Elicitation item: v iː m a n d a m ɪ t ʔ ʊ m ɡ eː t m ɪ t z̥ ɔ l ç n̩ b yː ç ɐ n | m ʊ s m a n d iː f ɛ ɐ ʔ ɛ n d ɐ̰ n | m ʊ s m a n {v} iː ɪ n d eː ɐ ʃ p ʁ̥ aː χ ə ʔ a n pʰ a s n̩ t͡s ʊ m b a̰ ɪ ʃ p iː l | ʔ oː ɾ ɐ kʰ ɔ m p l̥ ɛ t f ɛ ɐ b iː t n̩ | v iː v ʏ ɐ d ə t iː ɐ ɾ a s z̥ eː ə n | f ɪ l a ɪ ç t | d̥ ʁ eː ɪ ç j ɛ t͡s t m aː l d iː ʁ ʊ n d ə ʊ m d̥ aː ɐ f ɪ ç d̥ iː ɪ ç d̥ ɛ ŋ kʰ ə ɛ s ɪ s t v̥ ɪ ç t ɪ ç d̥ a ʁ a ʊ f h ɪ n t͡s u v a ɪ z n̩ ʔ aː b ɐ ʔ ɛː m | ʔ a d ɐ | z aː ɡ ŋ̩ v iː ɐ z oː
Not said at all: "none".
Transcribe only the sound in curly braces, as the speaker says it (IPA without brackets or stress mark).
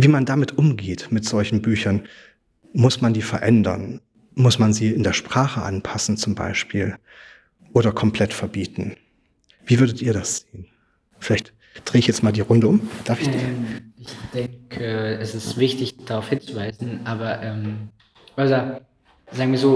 z